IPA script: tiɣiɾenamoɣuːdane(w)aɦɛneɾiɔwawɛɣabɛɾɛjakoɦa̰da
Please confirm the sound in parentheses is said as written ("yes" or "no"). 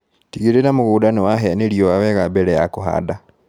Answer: yes